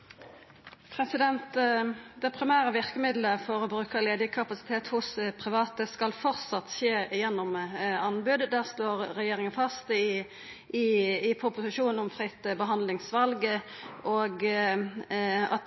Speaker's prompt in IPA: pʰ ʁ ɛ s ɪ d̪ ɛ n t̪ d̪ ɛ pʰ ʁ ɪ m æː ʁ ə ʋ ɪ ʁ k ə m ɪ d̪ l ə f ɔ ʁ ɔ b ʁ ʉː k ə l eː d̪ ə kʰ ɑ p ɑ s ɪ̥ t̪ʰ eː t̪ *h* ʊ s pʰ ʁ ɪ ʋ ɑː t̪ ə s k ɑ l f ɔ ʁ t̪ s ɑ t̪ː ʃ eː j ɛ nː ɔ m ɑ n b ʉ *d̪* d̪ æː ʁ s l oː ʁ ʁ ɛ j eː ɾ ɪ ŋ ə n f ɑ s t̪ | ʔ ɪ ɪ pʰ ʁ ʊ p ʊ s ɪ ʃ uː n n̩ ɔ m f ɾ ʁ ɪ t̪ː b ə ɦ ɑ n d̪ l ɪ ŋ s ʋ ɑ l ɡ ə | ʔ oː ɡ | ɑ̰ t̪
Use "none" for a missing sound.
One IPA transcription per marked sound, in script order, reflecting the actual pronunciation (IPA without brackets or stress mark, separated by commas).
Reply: h, d̪